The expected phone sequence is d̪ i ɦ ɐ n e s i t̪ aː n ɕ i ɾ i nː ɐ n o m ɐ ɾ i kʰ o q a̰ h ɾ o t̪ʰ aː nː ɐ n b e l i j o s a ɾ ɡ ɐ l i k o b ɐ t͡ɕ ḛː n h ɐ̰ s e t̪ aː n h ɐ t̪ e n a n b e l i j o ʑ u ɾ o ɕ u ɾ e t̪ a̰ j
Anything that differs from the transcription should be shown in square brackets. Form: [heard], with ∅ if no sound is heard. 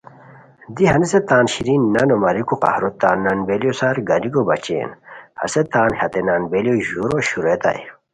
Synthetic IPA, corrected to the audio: d̪ i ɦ ɐ n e s [e] t̪ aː n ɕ i ɾ i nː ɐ n o m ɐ ɾ i [k] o q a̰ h ɾ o [t̪] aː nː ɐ n b e l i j o s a ɾ ɡ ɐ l i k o b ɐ t͡ɕ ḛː n h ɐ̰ s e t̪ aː n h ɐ t̪ e n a n b e l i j o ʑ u ɾ o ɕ u ɾ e t̪ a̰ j